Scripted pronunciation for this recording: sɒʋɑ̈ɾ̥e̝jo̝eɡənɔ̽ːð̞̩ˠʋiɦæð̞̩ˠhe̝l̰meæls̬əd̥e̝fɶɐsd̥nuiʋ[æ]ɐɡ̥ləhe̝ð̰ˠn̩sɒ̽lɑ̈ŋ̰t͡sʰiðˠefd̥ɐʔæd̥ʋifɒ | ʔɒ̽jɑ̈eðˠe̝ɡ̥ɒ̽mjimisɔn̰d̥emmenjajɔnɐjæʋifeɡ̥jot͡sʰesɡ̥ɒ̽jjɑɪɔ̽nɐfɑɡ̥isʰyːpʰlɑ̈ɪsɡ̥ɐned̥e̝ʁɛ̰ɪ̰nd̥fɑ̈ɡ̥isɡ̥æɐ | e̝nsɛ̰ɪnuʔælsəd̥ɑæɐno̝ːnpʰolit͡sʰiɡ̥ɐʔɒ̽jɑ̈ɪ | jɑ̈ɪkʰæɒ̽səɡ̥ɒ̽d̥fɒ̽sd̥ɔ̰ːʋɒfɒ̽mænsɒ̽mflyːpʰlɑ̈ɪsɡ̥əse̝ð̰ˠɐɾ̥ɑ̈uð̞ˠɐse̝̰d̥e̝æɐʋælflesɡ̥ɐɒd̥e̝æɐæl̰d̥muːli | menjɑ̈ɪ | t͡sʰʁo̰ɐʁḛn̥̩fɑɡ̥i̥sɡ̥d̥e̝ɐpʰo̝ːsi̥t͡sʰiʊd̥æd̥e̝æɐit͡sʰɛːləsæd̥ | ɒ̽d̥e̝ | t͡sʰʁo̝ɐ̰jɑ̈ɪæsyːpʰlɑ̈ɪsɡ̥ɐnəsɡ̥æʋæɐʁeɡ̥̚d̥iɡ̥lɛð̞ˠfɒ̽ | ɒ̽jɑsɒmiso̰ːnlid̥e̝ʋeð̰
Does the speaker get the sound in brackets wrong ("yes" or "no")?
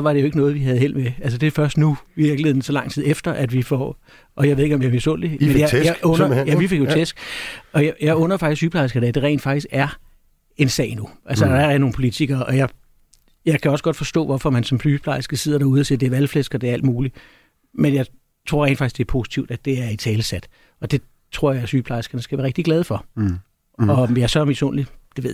yes